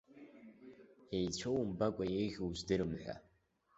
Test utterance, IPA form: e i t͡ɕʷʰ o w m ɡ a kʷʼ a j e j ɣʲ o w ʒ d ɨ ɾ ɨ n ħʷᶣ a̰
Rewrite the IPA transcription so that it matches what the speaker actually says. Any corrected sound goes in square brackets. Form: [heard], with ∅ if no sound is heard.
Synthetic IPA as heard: e [j] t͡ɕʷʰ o w m [b] a kʷʼ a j e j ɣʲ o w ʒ d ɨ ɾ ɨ [m] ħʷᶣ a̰

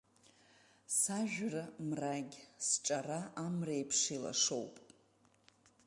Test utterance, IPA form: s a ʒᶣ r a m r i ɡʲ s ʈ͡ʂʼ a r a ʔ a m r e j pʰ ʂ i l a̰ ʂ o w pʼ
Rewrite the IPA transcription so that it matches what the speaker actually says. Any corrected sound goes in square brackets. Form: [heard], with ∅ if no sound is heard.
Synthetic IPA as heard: s a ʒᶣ r a m r [a] ɡʲ s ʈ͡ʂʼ a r a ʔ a m r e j pʰ ʂ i l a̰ ʂ o w pʼ

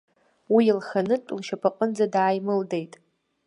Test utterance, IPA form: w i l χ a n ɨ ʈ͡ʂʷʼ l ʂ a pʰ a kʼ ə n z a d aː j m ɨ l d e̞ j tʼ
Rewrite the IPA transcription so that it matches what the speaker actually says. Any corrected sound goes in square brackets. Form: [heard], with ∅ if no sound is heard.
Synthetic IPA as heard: w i l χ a n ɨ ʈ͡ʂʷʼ l [ʃ] a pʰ a [qʼ] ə n [d͡z] a d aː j m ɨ l d e̞ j tʼ

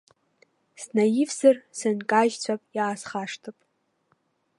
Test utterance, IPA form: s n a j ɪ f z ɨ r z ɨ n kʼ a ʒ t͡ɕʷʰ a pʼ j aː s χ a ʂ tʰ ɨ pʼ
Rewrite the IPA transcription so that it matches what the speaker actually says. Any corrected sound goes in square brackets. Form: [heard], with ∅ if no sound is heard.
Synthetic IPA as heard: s n a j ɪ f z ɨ r [s] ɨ n kʼ a ʒ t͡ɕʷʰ a pʼ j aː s χ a ʂ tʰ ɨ pʼ

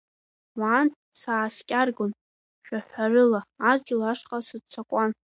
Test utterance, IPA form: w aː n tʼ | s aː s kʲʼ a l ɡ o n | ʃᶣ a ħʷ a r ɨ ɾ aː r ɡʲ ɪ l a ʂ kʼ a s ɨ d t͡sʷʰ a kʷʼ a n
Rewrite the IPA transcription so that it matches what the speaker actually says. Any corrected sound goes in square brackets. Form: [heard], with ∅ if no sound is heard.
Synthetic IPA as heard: w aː n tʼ | s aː s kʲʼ a [r] ɡ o n | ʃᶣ a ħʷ a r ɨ [l] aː r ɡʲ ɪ l a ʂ [qʼ] a s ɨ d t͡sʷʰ a kʷʼ a n

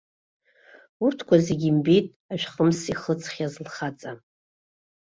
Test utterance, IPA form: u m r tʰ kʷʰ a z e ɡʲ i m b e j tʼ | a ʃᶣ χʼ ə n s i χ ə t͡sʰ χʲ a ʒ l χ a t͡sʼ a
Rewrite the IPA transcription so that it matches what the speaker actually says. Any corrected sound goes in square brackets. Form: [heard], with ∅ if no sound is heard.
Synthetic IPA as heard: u [∅] r tʰ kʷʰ a z e ɡʲ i m b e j tʼ | a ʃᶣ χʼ ə [m] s i χ ə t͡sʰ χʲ a [z] l χ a t͡sʼ a

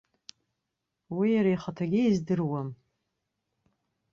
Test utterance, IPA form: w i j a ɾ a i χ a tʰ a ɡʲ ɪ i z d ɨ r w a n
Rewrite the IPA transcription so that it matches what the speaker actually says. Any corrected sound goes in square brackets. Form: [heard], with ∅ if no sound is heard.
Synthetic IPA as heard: w i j a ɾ a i χ a tʰ a ɡʲ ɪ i z d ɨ r w a [m]

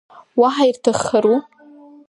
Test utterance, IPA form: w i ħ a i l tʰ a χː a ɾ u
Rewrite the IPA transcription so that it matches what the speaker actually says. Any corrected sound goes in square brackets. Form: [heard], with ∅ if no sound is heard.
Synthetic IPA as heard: w [a] ħ a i [r] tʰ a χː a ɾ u

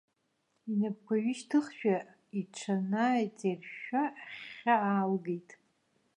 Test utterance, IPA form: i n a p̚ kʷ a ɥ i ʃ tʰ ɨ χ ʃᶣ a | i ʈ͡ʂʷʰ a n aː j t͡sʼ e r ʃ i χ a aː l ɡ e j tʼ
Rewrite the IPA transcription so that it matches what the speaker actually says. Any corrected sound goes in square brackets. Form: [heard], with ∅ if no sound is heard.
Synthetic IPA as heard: i n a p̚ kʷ a ɥ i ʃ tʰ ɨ χ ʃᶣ a | i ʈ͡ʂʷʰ a n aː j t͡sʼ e r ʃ [a] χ a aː l ɡ e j tʼ

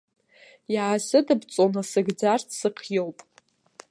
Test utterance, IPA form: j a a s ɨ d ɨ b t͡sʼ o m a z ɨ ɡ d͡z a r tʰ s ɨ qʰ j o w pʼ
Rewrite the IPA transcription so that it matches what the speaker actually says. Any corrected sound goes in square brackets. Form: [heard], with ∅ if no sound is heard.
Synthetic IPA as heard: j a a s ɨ d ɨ b t͡sʼ o [n] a [s] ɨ ɡ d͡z a r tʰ s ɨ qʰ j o w pʼ

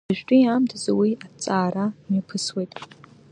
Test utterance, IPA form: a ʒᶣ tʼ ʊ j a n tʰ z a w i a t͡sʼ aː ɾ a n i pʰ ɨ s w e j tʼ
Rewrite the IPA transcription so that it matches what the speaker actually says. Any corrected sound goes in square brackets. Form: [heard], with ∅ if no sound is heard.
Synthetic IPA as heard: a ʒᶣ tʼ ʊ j a [m] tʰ z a w i a t͡sʼ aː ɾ a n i pʰ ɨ s w e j tʼ

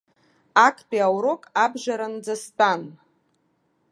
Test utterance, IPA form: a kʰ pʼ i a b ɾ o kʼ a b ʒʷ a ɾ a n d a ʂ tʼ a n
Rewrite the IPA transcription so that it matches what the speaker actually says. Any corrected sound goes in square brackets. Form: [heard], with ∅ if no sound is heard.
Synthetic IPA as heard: a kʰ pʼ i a [w] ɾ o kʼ a b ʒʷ a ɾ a n [d͡z] a [s] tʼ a n

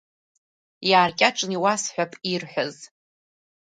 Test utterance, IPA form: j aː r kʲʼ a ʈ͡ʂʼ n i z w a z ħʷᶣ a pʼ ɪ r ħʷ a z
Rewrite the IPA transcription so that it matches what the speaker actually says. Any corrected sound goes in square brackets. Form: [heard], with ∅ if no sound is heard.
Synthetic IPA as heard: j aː r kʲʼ a ʈ͡ʂʼ n i [∅] w a [s] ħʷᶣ a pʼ [i] r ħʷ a z

